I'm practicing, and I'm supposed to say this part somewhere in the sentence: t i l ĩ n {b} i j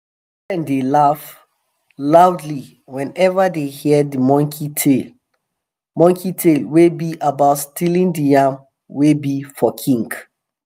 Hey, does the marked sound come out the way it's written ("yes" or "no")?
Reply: no